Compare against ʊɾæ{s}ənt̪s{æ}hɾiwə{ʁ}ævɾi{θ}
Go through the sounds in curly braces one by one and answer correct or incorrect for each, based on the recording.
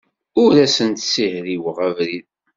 correct, incorrect, correct, incorrect

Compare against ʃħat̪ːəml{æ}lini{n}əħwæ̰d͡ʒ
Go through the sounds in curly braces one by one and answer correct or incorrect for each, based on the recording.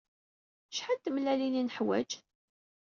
correct, correct

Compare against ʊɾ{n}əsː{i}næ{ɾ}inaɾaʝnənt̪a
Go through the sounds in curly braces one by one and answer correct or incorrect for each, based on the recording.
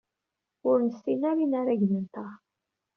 correct, correct, correct

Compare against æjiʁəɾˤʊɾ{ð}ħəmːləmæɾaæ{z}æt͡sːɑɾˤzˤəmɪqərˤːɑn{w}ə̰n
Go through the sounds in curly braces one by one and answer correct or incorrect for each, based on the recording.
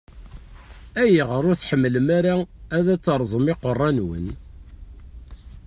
incorrect, incorrect, correct

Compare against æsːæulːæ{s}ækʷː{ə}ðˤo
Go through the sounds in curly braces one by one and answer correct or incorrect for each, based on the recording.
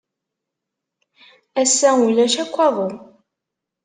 incorrect, incorrect

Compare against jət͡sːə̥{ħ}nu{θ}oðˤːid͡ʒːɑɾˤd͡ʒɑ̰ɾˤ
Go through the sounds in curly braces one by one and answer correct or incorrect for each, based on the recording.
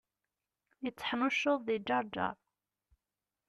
correct, incorrect

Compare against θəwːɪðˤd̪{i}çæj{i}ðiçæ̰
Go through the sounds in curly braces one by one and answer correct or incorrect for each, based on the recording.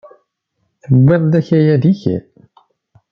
incorrect, incorrect

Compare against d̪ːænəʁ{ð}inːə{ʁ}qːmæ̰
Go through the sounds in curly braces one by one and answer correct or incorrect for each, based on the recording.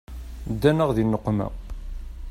correct, incorrect

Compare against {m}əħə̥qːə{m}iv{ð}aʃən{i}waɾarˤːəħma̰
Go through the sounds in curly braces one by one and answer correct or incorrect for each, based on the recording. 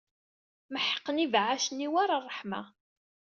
correct, incorrect, incorrect, correct

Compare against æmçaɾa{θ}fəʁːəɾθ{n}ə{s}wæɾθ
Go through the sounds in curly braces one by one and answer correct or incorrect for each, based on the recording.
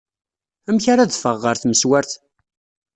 incorrect, incorrect, correct

